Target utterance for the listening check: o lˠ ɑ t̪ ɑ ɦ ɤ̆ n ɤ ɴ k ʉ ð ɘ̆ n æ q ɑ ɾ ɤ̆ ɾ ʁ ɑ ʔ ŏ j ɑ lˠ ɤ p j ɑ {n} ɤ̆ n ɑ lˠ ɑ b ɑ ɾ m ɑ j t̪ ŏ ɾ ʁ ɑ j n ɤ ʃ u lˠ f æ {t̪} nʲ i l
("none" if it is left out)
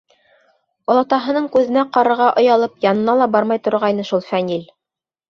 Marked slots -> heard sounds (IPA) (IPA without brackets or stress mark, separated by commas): n, none